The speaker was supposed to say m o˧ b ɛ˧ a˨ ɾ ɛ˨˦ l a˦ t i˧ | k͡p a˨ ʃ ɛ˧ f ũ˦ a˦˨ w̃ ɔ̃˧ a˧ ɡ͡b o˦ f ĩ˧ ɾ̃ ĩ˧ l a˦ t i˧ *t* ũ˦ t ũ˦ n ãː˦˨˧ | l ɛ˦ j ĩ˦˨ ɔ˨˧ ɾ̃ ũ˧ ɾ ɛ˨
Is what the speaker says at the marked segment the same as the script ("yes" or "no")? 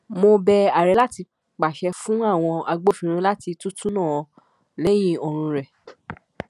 yes